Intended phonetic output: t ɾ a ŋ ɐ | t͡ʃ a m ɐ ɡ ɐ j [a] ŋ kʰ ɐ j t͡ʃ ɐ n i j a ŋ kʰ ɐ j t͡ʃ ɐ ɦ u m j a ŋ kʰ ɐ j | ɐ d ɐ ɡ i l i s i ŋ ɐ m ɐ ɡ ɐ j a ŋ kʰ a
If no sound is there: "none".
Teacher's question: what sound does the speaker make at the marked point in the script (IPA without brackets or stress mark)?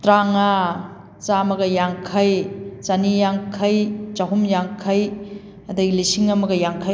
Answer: a